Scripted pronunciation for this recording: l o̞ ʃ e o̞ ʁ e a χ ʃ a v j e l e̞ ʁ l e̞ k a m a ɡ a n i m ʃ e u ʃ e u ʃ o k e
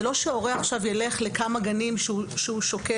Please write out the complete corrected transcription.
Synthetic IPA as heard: l o̞ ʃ e o̞ ʁ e a χ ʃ a v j e l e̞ χ l e̞ k a m a ɡ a n i m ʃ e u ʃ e u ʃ o k e